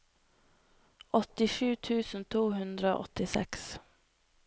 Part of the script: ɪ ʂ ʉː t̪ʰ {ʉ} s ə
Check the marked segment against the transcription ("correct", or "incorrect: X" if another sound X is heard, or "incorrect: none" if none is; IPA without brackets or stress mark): incorrect: ʉː